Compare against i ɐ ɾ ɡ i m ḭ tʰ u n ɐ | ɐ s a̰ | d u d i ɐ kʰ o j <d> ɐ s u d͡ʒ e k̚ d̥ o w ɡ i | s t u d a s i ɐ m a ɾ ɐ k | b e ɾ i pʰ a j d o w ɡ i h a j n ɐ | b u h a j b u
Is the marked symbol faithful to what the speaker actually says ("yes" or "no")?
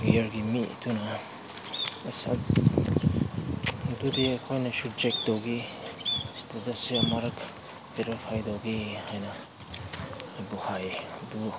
no